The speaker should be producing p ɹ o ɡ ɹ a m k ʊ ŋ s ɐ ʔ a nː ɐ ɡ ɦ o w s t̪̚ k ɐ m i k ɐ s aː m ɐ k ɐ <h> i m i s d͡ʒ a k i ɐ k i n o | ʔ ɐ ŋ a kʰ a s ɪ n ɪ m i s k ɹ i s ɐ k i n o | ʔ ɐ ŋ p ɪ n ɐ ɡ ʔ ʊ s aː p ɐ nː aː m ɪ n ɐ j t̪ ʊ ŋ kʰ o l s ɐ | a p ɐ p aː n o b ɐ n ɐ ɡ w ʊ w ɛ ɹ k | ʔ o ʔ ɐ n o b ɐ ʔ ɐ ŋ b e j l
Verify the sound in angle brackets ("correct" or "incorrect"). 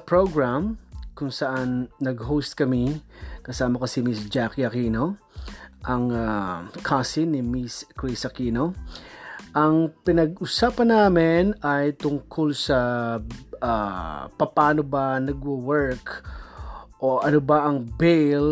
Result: incorrect